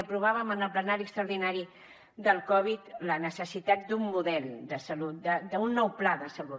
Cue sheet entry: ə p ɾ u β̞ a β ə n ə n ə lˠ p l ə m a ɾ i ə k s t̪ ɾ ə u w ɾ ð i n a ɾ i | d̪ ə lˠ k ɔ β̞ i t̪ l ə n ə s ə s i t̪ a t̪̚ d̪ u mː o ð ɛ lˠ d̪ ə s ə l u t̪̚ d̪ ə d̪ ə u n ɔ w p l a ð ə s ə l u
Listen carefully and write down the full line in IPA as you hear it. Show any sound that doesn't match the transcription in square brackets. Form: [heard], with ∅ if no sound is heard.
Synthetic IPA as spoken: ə p ɾ u β̞ a β ə [m] ə n ə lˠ p l ə [n] a ɾ i ə k s t̪ ɾ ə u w ɾ ð i n a ɾ i | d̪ ə lˠ k ɔ β̞ i t̪ l ə n ə s ə s i t̪ a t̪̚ d̪ u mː [u] ð ɛ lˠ d̪ ə s ə l u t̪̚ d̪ ə d̪ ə u [nː] ɔ w p l a ð ə s ə l u